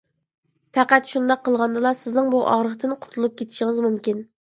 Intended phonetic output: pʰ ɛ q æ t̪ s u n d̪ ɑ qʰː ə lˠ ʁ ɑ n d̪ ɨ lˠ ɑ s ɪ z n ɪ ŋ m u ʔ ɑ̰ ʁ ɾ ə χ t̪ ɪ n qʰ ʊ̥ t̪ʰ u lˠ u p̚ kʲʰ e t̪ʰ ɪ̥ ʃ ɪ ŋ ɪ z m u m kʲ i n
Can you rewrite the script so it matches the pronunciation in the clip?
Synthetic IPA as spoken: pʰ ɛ q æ t̪ ʃ u n d̪ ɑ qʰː ə lˠ ʁ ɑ n d̪ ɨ lˠ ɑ s ɪ z n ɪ ŋ b u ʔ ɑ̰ ʁ ɾ ə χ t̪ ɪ n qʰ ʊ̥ t̪ʰ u lˠ u p̚ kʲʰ e t̪ʰ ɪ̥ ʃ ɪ ŋ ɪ z m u m kʲ i n